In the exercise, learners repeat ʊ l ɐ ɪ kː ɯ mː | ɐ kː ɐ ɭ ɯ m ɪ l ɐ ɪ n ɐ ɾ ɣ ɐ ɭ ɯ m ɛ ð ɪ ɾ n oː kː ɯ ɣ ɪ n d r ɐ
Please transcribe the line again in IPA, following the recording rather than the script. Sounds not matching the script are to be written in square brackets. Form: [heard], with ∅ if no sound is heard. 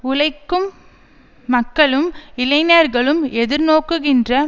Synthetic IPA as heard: ʊ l ɐ ɪ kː ɯ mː | ɐ kː ɐ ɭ ɯ m ɪ l ɐ ɪ n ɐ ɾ ɣ ɐ ɭ ɯ m ɛ ð ɪ ɾ n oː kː ɯ ɣ ɪ n d r ɐ